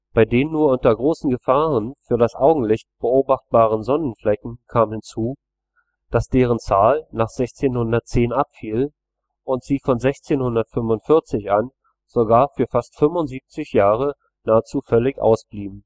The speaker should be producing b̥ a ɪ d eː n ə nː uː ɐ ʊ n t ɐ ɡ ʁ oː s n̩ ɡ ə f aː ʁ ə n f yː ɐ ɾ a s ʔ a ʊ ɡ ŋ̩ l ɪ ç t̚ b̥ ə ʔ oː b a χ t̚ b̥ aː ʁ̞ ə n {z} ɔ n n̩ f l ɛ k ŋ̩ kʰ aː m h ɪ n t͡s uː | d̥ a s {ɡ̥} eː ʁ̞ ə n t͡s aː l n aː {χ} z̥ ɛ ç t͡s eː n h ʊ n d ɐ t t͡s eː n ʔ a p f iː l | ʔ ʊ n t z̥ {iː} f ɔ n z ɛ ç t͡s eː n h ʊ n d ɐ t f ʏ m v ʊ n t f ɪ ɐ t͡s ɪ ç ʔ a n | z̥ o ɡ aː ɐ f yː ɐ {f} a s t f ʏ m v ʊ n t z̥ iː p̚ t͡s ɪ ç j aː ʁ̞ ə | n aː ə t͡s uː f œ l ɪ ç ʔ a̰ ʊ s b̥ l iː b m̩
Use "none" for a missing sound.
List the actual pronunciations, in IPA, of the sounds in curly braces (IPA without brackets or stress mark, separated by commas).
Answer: z, d̥, χ, iː, f